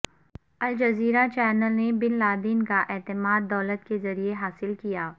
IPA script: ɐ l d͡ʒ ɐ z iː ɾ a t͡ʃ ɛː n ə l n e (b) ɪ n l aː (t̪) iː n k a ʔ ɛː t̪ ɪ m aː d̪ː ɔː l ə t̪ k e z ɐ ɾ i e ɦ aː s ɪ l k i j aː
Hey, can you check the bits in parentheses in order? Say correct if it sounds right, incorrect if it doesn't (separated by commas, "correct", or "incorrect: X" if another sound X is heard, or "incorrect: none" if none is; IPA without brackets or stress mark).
correct, incorrect: d̪